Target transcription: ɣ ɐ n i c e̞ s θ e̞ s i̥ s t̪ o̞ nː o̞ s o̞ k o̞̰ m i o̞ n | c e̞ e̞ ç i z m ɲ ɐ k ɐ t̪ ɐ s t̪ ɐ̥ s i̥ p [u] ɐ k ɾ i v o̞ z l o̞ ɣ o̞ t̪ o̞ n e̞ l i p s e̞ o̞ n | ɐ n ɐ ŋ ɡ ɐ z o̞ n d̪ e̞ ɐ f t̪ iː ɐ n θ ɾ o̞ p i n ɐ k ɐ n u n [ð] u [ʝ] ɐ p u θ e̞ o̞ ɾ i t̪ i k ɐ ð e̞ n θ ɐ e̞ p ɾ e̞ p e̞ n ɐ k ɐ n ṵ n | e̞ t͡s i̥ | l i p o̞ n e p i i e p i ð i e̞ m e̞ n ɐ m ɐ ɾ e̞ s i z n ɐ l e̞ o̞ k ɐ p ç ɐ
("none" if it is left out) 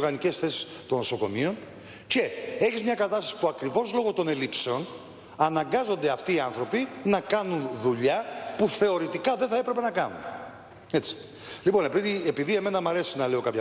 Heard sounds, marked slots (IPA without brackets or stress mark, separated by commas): u, ð, ʎ